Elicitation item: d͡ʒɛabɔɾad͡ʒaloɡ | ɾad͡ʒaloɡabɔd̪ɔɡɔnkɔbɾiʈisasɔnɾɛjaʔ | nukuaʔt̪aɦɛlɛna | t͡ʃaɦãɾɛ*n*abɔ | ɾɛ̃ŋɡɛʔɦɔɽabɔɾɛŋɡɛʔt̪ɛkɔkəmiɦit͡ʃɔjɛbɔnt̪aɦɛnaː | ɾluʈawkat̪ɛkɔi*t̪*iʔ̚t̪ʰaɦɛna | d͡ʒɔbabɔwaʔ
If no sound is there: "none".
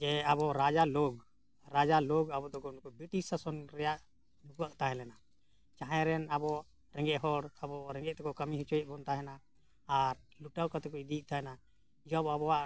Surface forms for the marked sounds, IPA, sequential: n, d̪

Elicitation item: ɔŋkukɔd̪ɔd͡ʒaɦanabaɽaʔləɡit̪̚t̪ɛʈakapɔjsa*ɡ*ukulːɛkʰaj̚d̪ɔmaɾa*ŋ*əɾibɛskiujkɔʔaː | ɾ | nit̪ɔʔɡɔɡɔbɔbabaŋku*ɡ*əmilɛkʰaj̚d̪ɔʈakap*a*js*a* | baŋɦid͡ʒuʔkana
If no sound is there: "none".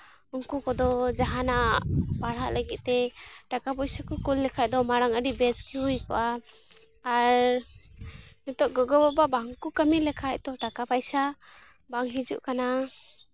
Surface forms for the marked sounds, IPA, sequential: k, ŋ, k, a, a

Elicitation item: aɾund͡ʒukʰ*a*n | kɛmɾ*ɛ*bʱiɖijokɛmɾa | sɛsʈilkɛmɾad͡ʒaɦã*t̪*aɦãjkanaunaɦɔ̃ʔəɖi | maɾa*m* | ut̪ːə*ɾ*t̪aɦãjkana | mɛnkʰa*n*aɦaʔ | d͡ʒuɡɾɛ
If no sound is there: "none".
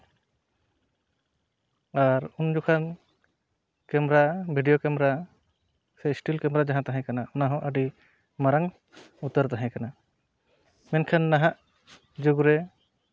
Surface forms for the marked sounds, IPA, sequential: a, a, t̪, ŋ, ɾ, nː

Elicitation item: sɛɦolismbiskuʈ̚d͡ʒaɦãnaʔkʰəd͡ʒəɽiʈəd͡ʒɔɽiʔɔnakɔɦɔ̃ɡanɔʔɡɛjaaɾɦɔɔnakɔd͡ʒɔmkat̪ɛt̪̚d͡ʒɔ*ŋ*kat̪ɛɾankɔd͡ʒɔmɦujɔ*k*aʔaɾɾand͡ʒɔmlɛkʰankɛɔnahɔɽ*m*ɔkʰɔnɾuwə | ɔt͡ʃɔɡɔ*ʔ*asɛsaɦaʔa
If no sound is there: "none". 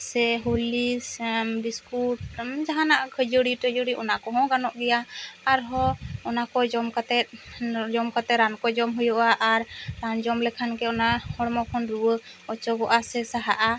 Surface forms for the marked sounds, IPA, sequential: m, ʔ, m, ʔ

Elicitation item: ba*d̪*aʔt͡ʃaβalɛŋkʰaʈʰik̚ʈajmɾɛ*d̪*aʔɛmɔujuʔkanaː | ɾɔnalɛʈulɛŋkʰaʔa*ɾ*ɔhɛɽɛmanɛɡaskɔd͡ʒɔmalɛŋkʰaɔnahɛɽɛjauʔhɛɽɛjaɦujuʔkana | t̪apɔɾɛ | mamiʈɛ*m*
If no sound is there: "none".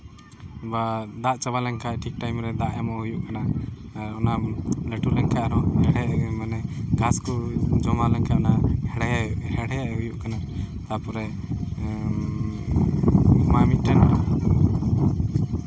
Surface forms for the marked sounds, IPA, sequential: d̪, d̪, ɾ, n

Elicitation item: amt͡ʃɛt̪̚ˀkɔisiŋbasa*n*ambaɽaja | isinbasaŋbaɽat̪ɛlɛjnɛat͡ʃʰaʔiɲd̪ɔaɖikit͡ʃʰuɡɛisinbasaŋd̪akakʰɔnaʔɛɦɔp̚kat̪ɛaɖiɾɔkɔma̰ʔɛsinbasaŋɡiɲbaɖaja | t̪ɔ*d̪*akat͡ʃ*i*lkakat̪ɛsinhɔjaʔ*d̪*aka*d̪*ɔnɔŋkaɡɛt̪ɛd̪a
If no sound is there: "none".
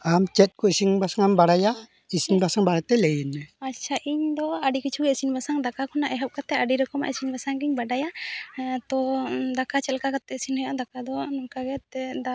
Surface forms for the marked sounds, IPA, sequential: ŋ, d̪, ɛ, d̪, d̪

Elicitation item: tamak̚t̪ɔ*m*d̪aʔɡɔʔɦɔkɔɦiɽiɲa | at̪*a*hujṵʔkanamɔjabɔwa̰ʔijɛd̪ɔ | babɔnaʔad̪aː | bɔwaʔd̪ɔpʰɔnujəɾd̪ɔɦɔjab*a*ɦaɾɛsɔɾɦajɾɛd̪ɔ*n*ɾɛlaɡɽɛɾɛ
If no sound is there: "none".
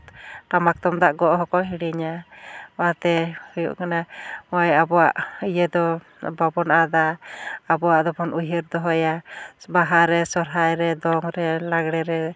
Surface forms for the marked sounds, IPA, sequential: m, ɛ, a, ŋ

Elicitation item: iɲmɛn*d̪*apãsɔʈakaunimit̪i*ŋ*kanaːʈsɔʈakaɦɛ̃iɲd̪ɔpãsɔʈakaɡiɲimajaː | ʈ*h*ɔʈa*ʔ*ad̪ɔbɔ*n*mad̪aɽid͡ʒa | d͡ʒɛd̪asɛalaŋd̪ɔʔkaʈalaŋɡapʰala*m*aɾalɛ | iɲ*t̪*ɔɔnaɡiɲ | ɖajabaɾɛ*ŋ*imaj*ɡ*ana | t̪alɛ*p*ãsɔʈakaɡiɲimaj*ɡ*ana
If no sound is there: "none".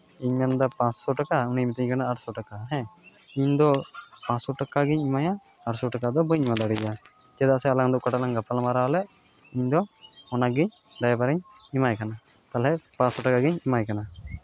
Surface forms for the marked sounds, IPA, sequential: d̪, ɲ, s, k, ɲ, m, d̪, ɲ, k, p, k

